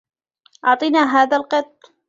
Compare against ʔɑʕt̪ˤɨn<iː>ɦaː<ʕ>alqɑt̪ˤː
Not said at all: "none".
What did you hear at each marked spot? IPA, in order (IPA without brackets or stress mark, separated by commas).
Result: aː, ð